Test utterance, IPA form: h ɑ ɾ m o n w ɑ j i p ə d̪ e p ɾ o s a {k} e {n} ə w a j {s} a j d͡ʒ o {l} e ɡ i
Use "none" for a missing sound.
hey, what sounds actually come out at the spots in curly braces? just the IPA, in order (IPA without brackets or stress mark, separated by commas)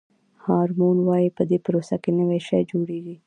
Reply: k, n, ʃ, ɽ